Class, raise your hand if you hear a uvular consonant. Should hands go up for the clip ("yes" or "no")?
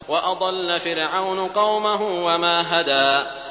yes